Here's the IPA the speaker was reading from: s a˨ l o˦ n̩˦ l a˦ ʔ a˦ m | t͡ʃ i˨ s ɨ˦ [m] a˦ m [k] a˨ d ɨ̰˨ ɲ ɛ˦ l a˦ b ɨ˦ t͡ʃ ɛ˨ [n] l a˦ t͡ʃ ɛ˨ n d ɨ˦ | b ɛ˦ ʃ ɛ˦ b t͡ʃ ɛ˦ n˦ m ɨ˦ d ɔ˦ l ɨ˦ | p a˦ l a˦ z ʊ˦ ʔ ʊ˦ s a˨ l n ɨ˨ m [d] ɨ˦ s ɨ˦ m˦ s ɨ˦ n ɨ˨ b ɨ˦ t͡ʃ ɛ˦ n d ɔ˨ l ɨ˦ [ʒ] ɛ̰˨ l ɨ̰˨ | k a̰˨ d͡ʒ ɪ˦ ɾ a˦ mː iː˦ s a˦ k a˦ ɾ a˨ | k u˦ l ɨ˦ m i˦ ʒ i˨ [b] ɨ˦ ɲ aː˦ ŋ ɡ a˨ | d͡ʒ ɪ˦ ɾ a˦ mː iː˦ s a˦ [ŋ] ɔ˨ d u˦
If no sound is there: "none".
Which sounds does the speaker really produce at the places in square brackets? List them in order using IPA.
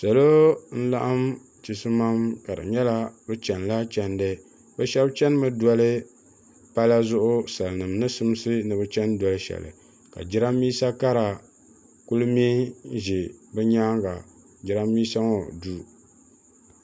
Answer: m, k, n, n, ʃ, b, ŋ

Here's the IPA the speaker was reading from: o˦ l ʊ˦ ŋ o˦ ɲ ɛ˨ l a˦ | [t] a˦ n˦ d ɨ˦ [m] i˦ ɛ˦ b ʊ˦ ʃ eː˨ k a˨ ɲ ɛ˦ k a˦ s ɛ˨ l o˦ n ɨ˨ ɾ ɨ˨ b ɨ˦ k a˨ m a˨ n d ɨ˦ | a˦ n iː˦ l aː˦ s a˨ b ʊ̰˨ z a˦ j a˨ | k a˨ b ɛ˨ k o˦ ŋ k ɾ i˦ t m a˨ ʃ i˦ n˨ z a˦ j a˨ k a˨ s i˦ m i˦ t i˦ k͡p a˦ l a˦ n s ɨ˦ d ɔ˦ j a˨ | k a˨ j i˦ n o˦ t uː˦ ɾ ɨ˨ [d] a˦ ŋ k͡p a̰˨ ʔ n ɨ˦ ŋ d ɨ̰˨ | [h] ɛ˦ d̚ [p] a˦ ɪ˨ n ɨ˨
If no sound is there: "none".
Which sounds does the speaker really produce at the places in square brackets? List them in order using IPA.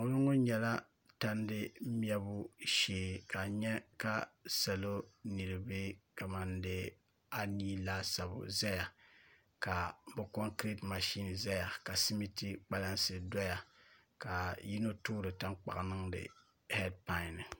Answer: t, m, t, h, p

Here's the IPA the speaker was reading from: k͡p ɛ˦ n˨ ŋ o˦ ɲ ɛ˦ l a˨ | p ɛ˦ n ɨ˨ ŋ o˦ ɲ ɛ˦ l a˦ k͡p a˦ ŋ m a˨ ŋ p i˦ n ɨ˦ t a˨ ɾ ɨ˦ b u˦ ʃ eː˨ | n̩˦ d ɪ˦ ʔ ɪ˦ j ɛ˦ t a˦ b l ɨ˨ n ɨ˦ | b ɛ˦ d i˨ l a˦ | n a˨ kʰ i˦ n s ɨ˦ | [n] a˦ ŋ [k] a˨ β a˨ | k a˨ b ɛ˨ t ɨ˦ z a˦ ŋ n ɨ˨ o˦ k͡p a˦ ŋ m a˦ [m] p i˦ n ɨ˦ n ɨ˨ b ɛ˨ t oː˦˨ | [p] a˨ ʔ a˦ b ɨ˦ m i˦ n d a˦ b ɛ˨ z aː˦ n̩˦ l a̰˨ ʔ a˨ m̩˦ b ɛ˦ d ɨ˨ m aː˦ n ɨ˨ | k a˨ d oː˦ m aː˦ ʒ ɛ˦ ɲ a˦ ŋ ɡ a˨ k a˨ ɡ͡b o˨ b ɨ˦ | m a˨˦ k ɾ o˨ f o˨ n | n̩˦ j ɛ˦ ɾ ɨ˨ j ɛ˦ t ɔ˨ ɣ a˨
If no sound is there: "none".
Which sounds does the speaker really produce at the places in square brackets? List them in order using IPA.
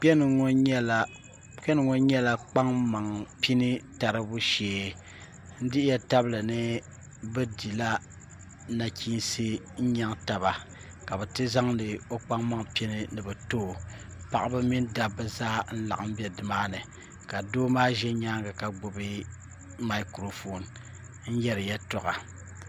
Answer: ɲ, t, ŋ, p

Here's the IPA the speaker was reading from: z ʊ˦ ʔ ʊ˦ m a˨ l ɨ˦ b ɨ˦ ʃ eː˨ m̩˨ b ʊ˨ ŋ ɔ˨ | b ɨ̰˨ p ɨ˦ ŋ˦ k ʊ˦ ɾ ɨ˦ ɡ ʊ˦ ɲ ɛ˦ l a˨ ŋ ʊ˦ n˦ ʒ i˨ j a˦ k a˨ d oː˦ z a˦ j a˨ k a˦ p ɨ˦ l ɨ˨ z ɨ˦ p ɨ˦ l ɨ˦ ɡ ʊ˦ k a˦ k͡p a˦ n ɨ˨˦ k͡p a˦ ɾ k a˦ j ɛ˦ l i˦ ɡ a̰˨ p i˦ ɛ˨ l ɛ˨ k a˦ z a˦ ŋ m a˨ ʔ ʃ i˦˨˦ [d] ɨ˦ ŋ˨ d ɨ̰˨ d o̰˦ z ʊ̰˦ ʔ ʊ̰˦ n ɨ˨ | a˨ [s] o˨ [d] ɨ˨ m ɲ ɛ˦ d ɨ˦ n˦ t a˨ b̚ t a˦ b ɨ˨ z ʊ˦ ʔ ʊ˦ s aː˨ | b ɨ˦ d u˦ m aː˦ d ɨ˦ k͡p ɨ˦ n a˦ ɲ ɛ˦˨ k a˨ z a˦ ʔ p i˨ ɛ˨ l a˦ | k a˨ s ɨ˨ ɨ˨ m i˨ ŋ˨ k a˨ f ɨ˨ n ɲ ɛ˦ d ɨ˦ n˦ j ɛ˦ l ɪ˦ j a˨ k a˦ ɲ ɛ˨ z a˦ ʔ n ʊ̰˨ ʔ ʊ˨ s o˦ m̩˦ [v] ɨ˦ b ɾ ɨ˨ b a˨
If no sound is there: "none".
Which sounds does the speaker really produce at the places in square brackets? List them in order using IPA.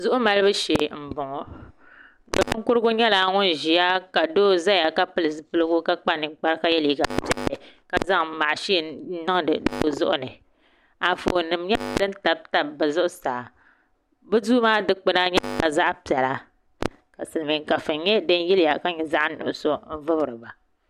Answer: n, f, n, v

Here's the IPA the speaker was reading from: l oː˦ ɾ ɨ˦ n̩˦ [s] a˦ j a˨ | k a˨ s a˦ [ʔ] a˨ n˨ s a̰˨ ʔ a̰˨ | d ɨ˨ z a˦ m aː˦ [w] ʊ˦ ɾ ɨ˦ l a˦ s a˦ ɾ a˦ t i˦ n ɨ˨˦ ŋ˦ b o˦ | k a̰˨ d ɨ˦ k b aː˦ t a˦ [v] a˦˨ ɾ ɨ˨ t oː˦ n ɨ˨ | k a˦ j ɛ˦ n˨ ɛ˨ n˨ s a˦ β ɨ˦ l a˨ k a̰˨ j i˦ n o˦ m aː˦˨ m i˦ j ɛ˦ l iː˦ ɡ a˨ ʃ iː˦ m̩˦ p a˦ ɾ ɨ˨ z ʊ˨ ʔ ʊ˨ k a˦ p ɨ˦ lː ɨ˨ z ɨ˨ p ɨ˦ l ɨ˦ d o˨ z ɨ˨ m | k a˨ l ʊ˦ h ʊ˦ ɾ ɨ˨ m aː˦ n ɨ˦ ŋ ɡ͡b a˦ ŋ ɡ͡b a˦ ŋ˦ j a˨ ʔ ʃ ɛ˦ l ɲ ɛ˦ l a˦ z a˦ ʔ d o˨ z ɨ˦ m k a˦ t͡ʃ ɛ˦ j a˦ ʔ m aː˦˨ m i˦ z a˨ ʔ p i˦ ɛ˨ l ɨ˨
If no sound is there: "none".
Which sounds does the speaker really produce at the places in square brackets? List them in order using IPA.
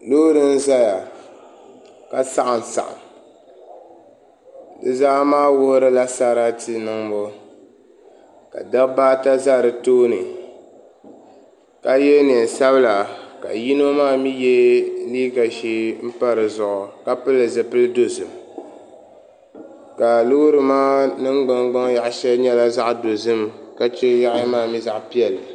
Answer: z, ʔ, w, z

